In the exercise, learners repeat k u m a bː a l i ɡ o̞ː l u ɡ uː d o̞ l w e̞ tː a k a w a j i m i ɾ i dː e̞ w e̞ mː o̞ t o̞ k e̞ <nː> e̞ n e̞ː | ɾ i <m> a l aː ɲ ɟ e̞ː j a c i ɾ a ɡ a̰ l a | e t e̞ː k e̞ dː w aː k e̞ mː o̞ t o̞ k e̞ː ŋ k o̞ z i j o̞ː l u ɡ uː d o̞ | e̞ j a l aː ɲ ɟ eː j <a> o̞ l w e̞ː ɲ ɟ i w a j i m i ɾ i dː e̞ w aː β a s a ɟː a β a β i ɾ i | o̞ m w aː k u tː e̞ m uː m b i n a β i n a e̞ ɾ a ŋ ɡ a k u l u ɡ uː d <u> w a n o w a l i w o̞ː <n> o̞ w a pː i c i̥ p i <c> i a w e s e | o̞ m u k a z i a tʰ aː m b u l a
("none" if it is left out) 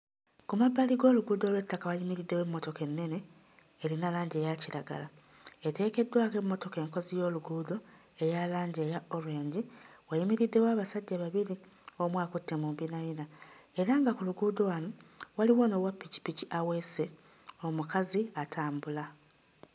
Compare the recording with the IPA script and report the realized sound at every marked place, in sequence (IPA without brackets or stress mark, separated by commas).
nː, n, a, o, n, c